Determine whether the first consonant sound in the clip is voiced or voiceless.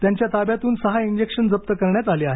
voiceless